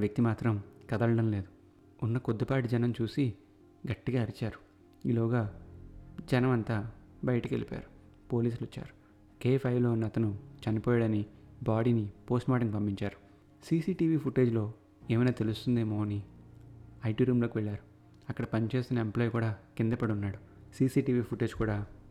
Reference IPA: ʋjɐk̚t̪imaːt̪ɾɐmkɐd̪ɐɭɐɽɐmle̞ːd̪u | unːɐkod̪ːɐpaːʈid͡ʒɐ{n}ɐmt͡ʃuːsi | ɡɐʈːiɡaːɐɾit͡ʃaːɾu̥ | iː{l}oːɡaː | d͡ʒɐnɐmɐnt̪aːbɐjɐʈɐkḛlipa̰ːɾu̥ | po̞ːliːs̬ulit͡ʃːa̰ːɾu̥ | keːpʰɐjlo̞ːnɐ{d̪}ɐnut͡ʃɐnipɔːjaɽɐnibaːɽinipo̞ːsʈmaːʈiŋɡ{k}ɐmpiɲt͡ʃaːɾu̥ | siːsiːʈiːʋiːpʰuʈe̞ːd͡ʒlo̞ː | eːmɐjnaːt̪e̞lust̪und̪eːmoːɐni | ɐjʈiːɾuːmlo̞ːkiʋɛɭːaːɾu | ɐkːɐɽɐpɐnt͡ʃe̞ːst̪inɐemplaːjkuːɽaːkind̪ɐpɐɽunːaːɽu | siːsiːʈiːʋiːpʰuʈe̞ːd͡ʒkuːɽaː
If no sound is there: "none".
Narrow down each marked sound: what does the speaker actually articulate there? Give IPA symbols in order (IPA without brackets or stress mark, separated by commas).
n, l, t̪, p